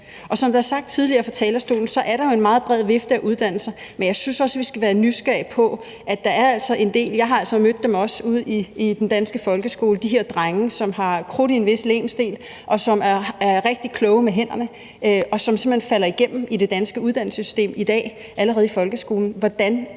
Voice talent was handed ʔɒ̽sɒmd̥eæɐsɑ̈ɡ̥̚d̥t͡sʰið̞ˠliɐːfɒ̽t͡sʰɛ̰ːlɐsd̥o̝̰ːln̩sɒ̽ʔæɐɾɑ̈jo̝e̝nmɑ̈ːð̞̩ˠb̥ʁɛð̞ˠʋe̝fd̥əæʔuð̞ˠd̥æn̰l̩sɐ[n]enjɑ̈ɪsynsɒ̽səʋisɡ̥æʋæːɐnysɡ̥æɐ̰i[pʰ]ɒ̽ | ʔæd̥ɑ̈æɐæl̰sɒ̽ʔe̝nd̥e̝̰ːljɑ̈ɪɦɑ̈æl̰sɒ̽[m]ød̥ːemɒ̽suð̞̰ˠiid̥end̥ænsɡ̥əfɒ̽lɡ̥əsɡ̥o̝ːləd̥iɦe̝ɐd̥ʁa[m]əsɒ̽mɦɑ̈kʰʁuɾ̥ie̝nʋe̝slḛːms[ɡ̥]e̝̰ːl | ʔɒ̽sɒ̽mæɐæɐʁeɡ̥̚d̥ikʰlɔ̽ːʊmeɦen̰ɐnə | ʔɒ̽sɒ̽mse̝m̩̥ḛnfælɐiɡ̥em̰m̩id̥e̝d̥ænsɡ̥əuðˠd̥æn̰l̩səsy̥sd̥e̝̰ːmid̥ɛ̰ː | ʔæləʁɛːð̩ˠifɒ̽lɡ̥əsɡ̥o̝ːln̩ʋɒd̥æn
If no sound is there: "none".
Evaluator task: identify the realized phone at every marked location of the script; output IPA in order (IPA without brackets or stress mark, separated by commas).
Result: m, pʰ, m, ŋ, d̥